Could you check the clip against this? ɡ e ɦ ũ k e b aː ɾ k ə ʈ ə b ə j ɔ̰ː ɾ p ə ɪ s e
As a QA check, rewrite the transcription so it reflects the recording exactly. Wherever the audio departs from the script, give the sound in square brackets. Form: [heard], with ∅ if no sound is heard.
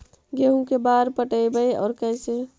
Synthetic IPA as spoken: ɡ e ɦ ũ k e b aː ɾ [p] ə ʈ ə b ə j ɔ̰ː ɾ [k] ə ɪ s e